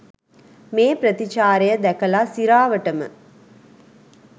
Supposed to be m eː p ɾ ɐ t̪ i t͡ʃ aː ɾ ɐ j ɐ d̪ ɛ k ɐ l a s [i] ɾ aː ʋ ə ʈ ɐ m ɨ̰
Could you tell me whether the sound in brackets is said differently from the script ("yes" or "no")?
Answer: no